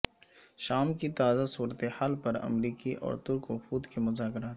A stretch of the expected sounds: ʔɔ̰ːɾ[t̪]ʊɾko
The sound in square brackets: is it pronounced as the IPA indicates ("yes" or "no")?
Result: yes